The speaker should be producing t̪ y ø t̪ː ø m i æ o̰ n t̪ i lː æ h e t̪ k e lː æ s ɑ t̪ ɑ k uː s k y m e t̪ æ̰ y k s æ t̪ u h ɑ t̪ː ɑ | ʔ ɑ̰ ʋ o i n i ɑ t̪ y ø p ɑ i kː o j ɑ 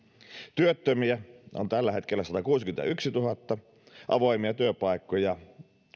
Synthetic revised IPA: t̪ y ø t̪ː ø m i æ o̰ n t̪ æ lː æ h e t̪ k e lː æ s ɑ t̪ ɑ k uː s k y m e t̪ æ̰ y k s i t̪ u h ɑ t̪ː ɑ | ʔ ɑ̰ ʋ o i m i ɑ t̪ y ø p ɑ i kː o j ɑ